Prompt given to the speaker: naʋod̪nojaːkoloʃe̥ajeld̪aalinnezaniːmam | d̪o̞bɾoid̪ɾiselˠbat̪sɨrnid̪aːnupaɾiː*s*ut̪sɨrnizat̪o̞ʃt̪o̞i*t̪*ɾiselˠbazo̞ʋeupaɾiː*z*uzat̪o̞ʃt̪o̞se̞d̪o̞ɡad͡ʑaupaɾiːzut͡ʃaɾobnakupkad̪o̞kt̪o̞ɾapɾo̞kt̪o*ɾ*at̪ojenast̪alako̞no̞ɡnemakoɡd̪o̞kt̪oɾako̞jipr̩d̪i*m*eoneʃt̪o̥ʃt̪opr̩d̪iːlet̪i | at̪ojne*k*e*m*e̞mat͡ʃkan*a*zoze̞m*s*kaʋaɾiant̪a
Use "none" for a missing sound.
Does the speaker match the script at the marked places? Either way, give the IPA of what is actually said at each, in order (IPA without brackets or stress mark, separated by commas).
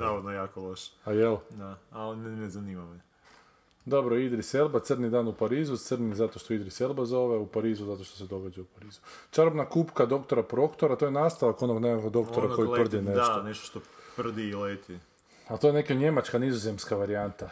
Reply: z, d̪, z, ɾ, n, k, ɲ, i, s